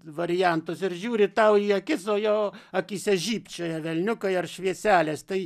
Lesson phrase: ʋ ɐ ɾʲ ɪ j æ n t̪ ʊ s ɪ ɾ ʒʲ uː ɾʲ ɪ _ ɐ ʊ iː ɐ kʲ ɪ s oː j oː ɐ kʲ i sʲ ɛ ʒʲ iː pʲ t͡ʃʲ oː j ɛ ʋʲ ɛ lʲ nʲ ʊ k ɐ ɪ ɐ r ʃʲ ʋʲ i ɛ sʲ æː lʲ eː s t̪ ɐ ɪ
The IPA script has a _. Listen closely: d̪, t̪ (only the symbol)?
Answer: t̪